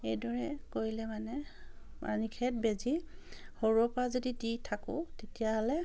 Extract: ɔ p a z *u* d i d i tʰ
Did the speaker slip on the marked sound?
yes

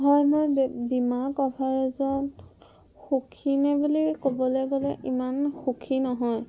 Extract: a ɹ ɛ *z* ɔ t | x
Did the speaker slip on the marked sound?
no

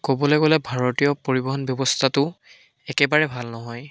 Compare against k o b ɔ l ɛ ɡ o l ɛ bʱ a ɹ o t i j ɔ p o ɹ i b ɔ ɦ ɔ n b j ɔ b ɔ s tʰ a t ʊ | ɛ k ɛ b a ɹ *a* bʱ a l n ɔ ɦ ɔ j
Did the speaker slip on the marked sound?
yes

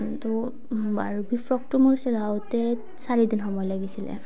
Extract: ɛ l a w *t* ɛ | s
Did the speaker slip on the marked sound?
no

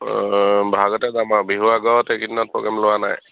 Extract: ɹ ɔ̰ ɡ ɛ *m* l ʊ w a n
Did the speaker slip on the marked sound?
no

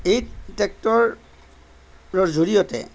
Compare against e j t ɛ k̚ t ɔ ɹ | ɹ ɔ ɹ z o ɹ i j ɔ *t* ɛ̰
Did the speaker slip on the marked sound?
no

